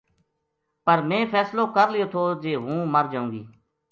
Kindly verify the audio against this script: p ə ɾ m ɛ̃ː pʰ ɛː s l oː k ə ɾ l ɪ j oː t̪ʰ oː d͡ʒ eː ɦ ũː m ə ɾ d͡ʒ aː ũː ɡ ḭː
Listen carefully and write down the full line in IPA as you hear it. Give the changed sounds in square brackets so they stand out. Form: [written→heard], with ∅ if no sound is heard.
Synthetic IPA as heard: p ə ɾ m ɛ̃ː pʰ ɛː s l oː k ə ɾ l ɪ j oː t̪ʰ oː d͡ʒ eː ɦ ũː m ə ɾ d͡ʒ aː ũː ɡ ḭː